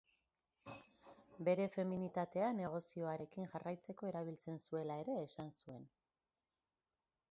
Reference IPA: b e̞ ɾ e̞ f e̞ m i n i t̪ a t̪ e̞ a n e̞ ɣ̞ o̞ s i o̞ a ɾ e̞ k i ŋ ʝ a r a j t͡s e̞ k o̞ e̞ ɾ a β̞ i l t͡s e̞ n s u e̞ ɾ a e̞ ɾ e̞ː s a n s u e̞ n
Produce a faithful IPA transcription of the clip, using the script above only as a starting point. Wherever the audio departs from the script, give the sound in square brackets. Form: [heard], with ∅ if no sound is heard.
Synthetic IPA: b e̞ ɾ e̞ f e̞ m i n i t̪ a t̪ e̞ a n e̞ ɣ̞ o̞ s i o̞ a ɾ e̞ k i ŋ ʝ a r a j t͡s e̞ k o̞ e̞ ɾ a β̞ i l t͡s e̞ n s u e̞ [l] a e̞ ɾ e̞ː s a n s u e̞ n